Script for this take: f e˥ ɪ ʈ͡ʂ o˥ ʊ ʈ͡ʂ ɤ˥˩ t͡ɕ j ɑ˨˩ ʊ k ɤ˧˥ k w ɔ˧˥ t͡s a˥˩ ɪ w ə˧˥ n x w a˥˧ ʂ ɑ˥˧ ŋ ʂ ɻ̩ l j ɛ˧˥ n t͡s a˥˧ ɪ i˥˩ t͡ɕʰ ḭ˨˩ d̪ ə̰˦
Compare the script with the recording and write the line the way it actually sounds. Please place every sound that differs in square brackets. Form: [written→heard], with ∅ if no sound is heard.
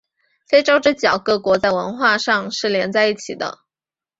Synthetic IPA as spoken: f e˥ ɪ ʈ͡ʂ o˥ ʊ ʈ͡ʂ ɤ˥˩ t͡ɕ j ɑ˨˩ ʊ k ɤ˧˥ k w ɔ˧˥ t͡s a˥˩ ɪ w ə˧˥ n x w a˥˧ ʂ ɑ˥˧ ŋ ʂ ɻ̩ l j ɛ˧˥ n t͡s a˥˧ ɪ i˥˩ t͡ɕʰ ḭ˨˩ d̪ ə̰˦